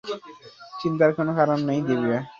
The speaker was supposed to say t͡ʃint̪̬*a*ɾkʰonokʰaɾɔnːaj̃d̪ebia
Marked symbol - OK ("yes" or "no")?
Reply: yes